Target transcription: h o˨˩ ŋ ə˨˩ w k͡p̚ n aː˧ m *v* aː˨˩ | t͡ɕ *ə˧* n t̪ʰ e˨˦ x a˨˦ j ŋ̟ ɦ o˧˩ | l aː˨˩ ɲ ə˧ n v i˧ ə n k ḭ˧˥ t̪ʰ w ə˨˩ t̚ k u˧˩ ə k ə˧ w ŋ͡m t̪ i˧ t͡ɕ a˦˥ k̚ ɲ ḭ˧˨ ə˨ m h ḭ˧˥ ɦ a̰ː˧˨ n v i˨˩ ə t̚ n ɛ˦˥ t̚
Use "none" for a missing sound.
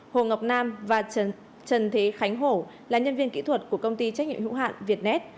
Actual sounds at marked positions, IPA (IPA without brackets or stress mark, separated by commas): v, ə˨˩